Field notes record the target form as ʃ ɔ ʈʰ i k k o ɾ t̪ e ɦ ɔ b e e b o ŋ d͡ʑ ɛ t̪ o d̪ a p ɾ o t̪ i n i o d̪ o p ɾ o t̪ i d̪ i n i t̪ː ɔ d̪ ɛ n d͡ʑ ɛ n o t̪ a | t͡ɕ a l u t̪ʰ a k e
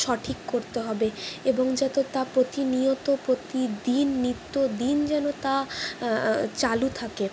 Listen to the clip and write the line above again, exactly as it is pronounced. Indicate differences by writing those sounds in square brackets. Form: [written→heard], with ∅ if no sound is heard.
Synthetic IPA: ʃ ɔ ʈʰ i k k o ɾ t̪ e ɦ ɔ b e e b o ŋ d͡ʑ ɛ t̪ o [d̪→t̪] a p ɾ o t̪ i n i o [d̪→t̪] o p ɾ o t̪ i d̪ i [n→nː] i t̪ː [ɔ→o] d̪ [ɛ→i] n d͡ʑ ɛ n o t̪ a | t͡ɕ a l u t̪ʰ a k e